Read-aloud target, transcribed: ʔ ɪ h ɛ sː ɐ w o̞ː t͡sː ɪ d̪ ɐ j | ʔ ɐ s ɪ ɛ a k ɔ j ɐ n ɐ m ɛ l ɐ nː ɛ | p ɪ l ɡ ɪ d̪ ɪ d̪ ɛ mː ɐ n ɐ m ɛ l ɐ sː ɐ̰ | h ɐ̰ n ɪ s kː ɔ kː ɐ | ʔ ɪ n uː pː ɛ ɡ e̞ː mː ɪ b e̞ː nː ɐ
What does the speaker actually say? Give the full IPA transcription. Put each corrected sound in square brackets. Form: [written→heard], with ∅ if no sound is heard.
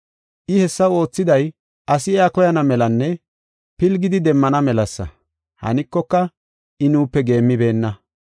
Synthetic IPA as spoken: ʔ ɪ h ɛ sː ɐ w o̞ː t͡sː ɪ d̪ ɐ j | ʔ ɐ s ɪ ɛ a k ɔ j ɐ n ɐ m ɛ l ɐ nː ɛ | p ɪ l ɡ ɪ d̪ ɪ d̪ ɛ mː ɐ n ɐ m ɛ l ɐ sː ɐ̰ | h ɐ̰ n ɪ [s→∅] kː ɔ kː ɐ | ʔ ɪ n uː pː ɛ ɡ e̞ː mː ɪ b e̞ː nː ɐ

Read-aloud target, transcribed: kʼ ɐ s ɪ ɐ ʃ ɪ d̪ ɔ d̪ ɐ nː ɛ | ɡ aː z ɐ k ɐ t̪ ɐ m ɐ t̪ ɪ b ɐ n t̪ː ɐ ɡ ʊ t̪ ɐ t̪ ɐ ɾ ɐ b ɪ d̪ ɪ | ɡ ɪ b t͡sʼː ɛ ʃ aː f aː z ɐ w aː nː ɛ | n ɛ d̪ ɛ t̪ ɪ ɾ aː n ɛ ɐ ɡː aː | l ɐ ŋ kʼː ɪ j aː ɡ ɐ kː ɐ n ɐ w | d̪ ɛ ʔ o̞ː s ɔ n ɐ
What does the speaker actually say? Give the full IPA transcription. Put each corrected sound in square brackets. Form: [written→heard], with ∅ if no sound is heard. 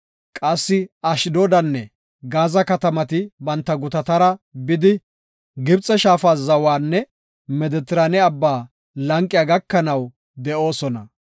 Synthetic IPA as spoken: kʼ ɐ [s→sː] ɪ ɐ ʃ ɪ d̪ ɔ d̪ ɐ nː ɛ | ɡ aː z ɐ k ɐ t̪ ɐ m ɐ t̪ ɪ b ɐ n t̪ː ɐ ɡ ʊ t̪ ɐ t̪ ɐ ɾ ɐ b ɪ d̪ ɪ | ɡ ɪ b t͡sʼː ɛ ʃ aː f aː z ɐ w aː nː ɛ | [n→m] ɛ d̪ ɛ t̪ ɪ ɾ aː n ɛ ɐ [ɡː→bː] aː | l ɐ ŋ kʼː ɪ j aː ɡ ɐ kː ɐ n ɐ w | d̪ ɛ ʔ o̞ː s ɔ n ɐ

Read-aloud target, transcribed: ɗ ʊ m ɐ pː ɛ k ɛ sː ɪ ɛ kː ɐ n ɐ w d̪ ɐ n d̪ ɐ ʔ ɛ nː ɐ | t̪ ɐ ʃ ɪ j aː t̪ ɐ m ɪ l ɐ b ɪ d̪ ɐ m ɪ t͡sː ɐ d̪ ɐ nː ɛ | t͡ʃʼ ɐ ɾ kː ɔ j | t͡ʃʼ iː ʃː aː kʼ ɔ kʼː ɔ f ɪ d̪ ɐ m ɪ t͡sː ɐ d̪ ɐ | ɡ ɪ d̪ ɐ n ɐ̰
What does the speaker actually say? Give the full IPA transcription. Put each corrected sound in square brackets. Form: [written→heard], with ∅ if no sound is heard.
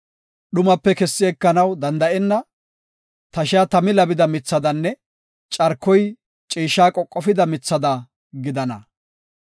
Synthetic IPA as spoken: ɗ ʊ m ɐ pː ɛ k ɛ sː ɪ ɛ kː ɐ n ɐ w d̪ ɐ n d̪ ɐ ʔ ɛ nː ɐ | t̪ ɐ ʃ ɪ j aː t̪ ɐ m ɪ l ɐ b ɪ d̪ ɐ m ɪ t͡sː ɐ d̪ ɐ nː ɛ | t͡ʃʼ ɐ ɾ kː ɔ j | t͡ʃʼ iː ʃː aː kʼ ɔ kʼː ɔ f ɪ d̪ ɐ m ɪ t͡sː ɐ d̪ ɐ | ɡ ɪ d̪ ɐ n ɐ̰

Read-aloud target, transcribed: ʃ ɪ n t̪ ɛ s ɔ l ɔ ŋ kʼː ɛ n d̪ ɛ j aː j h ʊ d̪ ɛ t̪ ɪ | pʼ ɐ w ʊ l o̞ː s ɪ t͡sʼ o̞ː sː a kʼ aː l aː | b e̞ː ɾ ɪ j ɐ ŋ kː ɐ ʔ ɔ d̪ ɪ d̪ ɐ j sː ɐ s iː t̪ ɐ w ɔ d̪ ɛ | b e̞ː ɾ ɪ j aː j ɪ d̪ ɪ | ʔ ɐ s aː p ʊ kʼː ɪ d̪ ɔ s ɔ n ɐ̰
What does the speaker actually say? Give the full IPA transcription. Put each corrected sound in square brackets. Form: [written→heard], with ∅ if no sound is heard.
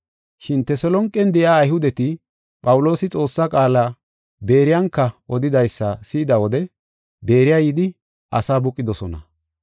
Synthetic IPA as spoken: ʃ ɪ n t̪ ɛ s ɔ l ɔ ŋ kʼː ɛ n d̪ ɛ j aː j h ʊ d̪ ɛ t̪ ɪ | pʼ ɐ w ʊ l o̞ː s ɪ t͡sʼ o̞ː sː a kʼ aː l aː | b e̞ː ɾ ɪ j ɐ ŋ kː ɐ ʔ ɔ d̪ ɪ d̪ ɐ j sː ɐ s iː [t̪→d̪] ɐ w ɔ d̪ ɛ | b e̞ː ɾ ɪ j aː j ɪ d̪ ɪ | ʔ ɐ s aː [p→b] ʊ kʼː ɪ d̪ ɔ s ɔ n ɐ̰

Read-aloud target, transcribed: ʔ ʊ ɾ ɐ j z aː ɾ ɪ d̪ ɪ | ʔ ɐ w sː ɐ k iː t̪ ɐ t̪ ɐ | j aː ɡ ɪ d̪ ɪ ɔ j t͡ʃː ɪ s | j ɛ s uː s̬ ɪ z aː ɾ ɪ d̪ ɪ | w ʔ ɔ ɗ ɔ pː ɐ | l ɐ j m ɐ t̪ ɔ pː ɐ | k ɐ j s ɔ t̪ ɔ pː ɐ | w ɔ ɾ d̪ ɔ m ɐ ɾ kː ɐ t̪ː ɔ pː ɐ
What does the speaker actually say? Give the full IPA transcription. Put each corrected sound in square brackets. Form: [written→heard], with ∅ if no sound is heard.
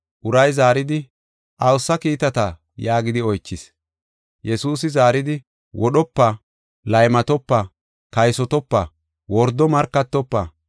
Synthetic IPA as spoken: ʔ ʊ ɾ ɐ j z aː ɾ ɪ d̪ ɪ | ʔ ɐ w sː ɐ k iː t̪ ɐ t̪ ɐ | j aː ɡ ɪ d̪ ɪ ɔ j t͡ʃː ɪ s | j ɛ s uː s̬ ɪ z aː ɾ ɪ d̪ ɪ | w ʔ ɔ ɗ ɔ pː ɐ | l ɐ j m ɐ t̪ ɔ pː ɐ | k ɐ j s ɔ t̪ ɔ pː ɐ | w ɔ ɾ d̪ ɔ m ɐ ɾ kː ɐ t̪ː ɔ pː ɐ

